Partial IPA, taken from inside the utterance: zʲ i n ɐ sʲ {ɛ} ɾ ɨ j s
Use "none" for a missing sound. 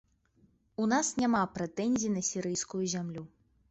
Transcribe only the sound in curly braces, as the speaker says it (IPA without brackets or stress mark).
i